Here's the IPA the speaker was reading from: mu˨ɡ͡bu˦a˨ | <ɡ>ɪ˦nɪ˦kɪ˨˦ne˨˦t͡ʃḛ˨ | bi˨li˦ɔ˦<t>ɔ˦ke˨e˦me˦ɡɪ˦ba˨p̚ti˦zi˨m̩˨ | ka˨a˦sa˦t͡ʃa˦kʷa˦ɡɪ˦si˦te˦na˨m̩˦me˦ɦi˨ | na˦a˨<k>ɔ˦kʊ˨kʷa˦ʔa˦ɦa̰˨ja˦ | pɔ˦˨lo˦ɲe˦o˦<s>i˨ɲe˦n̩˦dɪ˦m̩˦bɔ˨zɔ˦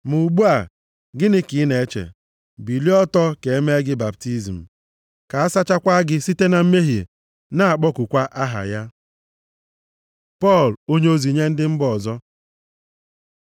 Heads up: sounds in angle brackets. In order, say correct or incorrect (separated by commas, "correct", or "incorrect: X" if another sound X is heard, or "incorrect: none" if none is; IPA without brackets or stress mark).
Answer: correct, correct, incorrect: k͡p, incorrect: z